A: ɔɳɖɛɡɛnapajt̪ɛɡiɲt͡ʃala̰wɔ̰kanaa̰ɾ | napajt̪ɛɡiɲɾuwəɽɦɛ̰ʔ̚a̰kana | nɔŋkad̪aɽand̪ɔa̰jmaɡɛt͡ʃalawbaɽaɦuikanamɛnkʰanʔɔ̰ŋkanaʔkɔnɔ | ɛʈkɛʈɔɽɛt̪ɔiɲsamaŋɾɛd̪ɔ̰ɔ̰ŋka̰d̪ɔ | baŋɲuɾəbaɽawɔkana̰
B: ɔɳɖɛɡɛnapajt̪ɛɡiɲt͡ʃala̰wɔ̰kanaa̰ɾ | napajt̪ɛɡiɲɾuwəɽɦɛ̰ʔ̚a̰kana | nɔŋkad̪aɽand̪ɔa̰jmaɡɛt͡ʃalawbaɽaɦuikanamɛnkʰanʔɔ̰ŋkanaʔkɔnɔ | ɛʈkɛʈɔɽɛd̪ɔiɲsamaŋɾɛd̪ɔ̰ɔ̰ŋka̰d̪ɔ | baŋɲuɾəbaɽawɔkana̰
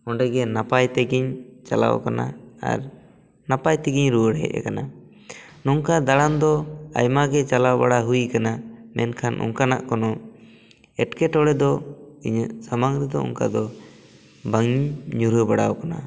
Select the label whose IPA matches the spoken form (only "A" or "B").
B